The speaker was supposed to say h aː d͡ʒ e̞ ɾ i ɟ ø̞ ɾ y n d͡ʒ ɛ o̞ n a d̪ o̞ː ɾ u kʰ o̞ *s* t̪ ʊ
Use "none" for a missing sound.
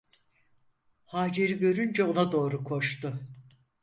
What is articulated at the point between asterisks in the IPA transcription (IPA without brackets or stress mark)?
ʃ